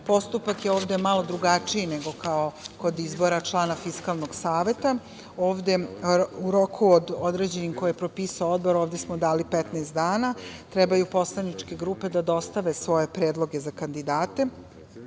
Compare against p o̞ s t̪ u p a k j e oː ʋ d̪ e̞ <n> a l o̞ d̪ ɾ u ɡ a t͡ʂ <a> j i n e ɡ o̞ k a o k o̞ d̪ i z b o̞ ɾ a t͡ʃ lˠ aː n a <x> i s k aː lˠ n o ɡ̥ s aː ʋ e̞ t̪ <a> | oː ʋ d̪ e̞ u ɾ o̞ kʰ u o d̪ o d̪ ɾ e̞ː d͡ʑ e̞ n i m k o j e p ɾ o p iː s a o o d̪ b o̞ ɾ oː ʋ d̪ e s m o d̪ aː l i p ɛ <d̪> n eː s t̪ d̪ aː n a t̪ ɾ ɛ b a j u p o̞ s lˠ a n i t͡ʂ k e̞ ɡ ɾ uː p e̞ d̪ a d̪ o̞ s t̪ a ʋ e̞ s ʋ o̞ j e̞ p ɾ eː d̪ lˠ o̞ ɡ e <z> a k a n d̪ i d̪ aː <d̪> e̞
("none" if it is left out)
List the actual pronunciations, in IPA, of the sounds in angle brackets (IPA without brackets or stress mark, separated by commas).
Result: m, i, f, a, t̪, z, t̪